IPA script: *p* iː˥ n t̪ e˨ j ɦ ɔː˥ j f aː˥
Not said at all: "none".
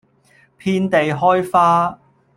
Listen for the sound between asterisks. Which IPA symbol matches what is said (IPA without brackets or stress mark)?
pʰ